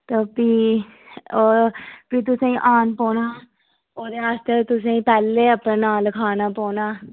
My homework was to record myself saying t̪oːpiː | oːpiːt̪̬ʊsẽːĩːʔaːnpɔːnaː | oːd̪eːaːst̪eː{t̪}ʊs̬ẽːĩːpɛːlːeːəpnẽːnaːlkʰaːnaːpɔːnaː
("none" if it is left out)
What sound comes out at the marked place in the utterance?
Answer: t̪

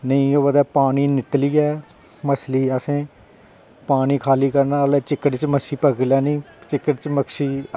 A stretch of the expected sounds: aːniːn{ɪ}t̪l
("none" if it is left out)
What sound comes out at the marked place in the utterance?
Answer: ɪ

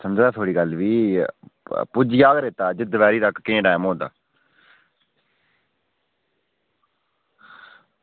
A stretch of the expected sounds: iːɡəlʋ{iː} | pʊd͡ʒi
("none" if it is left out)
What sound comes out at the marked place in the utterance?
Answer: iː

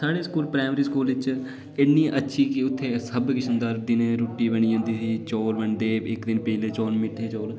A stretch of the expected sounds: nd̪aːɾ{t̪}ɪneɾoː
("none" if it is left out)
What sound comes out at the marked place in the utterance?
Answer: d̪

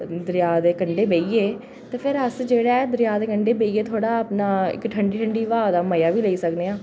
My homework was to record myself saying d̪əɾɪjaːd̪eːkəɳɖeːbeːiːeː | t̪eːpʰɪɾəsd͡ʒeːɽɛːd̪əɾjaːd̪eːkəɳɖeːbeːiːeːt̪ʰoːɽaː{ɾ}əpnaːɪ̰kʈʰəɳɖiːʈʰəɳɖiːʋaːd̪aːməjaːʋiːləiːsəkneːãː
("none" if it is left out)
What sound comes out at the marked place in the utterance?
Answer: none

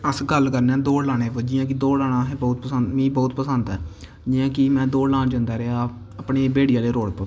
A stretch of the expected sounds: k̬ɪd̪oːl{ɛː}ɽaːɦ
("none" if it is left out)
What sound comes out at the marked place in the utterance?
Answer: aː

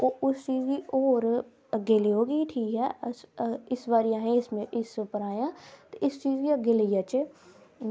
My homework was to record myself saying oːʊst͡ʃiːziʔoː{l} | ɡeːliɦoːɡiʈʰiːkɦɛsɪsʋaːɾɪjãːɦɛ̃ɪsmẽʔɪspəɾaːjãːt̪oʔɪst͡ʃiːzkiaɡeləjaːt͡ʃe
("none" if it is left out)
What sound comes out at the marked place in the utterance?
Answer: ɾ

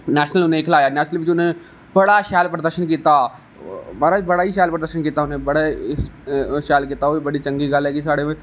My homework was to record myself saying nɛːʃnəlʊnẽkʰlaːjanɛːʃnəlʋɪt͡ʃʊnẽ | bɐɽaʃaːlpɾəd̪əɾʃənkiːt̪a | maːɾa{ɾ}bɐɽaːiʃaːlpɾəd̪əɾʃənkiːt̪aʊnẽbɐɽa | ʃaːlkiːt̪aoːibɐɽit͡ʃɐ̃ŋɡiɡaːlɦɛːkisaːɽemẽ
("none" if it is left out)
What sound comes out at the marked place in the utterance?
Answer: none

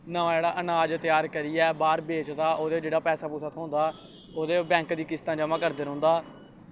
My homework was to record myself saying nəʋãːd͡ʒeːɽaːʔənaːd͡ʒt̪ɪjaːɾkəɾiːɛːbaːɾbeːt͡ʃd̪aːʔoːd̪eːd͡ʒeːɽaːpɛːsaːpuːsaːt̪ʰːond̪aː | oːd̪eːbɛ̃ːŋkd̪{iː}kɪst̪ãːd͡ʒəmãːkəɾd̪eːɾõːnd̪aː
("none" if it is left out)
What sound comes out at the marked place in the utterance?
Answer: iː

